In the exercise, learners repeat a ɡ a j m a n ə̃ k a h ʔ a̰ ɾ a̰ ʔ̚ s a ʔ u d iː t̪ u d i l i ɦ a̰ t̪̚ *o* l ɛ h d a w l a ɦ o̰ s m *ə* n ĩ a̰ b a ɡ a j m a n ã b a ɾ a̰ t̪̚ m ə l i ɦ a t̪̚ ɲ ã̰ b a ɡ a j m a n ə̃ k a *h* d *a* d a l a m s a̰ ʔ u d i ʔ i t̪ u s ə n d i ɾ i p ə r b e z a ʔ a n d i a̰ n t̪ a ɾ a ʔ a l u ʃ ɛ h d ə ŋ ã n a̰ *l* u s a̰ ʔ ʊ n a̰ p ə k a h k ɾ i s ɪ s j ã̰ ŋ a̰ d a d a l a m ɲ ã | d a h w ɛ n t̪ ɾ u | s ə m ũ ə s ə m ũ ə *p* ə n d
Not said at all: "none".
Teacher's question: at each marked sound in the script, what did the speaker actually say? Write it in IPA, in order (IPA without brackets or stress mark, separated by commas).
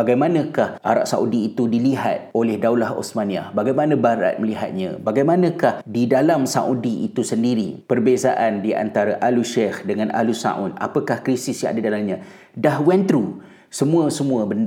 o, a, h, i, l, b